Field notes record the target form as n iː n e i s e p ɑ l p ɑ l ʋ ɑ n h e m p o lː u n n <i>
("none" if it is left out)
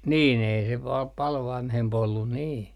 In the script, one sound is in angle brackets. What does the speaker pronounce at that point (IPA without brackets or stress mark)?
iː